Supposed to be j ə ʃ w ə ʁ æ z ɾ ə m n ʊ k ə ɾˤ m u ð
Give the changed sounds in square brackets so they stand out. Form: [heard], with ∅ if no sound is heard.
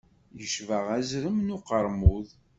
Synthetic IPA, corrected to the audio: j ə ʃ [v] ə ʁ æ z ɾ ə m n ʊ [q] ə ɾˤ m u ð